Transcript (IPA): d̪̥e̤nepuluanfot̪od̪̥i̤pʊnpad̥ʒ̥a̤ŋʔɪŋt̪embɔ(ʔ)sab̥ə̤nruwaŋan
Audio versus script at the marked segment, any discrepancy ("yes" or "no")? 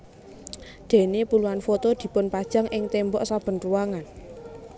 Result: no